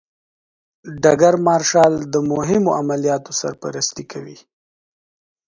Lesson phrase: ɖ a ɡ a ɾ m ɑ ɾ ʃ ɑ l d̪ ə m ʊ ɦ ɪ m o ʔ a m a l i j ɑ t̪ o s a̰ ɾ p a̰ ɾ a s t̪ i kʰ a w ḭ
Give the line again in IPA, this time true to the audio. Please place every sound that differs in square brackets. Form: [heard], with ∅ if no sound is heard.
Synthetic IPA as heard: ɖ a ɡ a ɾ m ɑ ɾ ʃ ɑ l d̪ ə m ʊ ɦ ɪ m o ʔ a m a l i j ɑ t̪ o s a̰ ɾ p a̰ ɾ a s t̪ i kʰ a w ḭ